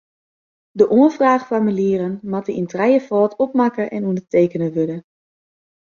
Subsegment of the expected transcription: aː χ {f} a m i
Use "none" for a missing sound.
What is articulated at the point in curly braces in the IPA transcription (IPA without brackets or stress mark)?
f